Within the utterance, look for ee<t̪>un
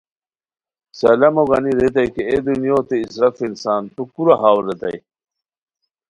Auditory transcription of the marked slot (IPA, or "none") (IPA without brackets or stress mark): d̪